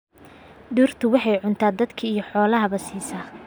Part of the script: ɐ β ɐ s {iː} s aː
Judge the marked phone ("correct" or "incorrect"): correct